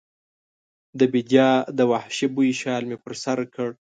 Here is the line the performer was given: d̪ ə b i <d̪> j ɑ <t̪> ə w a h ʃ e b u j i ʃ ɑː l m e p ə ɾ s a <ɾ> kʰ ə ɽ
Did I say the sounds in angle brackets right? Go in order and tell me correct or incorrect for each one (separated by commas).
correct, incorrect, correct